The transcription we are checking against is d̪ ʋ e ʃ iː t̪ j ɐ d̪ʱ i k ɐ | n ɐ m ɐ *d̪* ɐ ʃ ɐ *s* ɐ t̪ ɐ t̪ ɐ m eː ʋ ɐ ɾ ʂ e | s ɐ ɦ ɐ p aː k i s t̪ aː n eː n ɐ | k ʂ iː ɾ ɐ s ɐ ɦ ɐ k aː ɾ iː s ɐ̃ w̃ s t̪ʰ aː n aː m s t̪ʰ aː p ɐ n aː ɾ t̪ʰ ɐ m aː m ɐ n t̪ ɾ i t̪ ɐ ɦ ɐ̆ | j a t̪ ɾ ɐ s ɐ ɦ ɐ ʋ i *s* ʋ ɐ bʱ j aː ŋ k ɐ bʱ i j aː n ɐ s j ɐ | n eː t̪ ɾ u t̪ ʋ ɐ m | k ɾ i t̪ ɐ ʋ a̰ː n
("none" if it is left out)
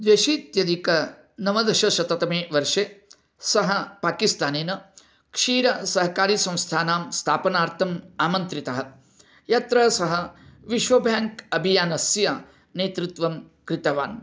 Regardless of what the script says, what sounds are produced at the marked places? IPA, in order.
d̪, ʃ, ʃ

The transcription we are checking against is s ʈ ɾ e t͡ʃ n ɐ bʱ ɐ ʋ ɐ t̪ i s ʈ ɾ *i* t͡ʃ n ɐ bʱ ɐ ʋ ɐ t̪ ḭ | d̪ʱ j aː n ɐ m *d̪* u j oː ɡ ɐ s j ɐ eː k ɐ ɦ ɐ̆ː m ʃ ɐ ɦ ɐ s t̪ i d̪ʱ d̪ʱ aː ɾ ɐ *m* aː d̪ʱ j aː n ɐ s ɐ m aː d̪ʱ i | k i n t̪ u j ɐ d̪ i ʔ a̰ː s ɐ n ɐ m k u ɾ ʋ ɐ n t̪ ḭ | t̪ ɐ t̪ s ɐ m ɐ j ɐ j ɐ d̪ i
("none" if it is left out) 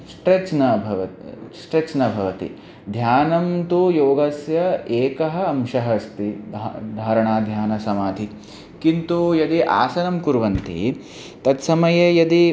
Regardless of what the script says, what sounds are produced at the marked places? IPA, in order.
e, t̪, ɳ

